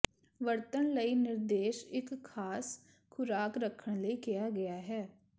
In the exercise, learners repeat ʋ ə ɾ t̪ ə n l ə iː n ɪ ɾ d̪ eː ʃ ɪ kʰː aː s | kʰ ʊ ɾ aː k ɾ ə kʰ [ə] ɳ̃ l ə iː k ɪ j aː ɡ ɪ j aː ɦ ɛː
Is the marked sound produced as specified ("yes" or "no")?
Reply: yes